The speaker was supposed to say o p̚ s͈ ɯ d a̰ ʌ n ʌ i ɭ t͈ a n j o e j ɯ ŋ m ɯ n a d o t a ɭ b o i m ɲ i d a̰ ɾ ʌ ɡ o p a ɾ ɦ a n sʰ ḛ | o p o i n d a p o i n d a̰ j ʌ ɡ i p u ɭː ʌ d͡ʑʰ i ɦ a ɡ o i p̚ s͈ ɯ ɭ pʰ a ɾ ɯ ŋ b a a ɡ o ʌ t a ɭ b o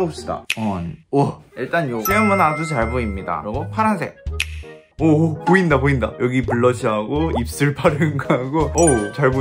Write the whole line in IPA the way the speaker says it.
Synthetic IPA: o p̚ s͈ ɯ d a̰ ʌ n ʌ i ɭ t͈ a n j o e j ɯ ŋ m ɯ n a d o t͡ɕ a ɭ b o i m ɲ i d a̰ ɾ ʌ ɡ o pʰ a ɾ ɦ a n sʰ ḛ | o p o i n d a p o i n d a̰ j ʌ ɡ i p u ɭː ʌ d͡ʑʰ i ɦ a ɡ o i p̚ s͈ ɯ ɭ pʰ a ɾ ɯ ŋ ɡ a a ɡ o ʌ t͡ɕ a ɭ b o